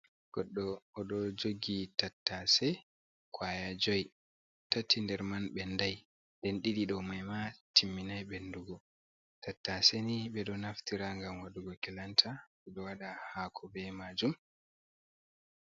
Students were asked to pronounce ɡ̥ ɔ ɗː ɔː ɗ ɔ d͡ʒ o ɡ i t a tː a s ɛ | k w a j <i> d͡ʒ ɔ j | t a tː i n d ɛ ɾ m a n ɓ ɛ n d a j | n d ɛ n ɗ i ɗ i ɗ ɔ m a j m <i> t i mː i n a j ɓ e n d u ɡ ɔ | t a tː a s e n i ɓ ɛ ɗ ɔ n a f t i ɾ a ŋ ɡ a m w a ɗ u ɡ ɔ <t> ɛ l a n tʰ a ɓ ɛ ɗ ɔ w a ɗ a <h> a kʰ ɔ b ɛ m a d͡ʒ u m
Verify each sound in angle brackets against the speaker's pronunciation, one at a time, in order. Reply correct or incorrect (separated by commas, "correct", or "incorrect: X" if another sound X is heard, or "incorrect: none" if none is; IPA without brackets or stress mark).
incorrect: a, incorrect: a, incorrect: k, correct